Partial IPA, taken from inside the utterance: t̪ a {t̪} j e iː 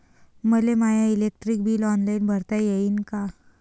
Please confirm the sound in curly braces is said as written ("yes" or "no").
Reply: no